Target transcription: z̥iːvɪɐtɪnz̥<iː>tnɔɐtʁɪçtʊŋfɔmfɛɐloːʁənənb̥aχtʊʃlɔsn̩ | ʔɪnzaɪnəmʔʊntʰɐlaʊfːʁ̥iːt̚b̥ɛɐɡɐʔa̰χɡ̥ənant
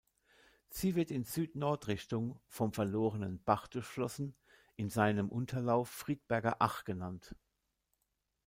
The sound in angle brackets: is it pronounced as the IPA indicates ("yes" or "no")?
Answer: no